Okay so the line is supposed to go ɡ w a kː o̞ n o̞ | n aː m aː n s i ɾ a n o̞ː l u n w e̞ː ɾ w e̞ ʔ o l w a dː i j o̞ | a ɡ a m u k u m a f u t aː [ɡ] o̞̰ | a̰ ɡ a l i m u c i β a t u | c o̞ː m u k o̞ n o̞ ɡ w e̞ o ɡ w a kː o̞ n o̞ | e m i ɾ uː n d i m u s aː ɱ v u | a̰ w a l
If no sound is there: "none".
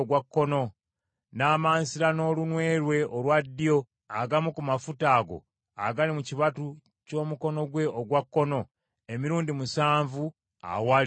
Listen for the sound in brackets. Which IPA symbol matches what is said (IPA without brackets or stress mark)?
ɡ